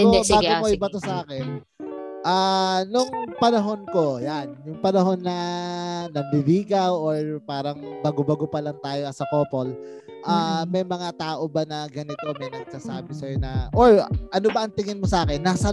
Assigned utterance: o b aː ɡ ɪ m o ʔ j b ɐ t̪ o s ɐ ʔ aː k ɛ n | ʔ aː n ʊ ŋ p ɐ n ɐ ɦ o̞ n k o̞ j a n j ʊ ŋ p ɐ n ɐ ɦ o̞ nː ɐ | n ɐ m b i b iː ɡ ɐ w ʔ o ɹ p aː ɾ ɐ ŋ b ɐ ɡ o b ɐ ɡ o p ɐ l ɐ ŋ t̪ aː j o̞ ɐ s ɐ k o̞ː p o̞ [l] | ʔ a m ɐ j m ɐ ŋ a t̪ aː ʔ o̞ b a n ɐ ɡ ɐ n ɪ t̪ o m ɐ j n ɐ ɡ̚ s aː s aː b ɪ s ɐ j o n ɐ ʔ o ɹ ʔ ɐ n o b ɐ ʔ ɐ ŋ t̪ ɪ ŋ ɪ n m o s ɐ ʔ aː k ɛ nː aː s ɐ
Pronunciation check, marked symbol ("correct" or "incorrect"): correct